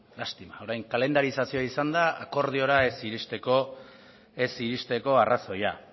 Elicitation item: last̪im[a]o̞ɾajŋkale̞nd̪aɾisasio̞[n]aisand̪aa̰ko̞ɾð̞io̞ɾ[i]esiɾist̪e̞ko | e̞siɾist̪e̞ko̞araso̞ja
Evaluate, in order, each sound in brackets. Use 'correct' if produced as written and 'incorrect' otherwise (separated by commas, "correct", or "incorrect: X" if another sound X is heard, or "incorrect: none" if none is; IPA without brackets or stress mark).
correct, incorrect: none, incorrect: a